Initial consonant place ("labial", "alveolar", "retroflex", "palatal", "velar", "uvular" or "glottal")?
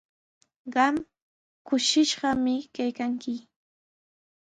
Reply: uvular